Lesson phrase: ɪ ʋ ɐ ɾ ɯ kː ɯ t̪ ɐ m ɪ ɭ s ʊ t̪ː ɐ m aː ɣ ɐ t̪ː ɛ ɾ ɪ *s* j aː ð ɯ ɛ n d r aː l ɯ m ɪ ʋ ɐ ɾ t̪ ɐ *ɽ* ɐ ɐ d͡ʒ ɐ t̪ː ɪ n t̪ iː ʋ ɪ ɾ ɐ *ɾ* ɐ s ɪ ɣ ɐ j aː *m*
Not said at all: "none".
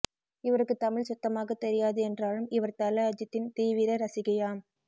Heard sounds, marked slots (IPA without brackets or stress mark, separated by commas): none, l, ɾ, m